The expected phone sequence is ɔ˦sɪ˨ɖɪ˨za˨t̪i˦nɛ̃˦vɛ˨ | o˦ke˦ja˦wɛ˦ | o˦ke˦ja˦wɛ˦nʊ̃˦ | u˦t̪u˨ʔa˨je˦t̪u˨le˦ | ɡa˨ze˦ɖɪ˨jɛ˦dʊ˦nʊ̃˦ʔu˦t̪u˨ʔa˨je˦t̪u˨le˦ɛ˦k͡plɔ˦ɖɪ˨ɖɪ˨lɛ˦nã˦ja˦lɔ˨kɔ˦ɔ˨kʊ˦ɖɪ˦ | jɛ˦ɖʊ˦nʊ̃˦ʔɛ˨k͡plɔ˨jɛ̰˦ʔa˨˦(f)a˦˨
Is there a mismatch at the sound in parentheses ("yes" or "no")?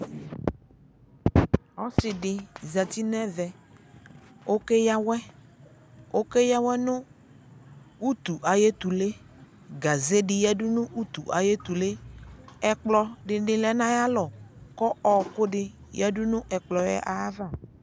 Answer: yes